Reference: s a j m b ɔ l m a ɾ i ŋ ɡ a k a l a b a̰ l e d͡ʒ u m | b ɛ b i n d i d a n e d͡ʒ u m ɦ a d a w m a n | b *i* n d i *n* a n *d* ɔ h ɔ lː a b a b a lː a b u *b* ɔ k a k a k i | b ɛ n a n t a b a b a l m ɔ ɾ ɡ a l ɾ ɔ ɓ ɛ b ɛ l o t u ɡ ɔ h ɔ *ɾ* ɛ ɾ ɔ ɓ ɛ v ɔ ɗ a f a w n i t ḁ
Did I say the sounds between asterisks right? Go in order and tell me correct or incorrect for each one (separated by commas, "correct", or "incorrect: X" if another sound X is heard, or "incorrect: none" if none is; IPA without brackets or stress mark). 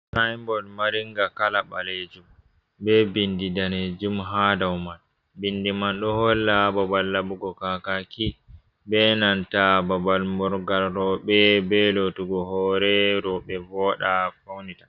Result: correct, incorrect: m, incorrect: ɗ, incorrect: ɡ, correct